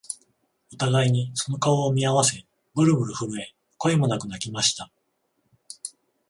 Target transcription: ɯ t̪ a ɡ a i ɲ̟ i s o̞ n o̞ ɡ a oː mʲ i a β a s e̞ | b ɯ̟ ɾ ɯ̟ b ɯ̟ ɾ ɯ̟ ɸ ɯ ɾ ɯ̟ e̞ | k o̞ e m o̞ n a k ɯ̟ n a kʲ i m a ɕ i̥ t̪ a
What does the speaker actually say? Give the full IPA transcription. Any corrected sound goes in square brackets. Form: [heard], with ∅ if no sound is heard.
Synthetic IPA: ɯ t̪ a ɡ a i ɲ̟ i s o̞ n o̞ [k] a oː mʲ i a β a s e̞ | b ɯ̟ ɾ ɯ̟ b ɯ̟ ɾ ɯ̟ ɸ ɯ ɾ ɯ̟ e̞ | k o̞ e m o̞ n a k ɯ̟ n a kʲ i m a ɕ i̥ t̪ a